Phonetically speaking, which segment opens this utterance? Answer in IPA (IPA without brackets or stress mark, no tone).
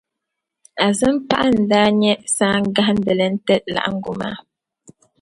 a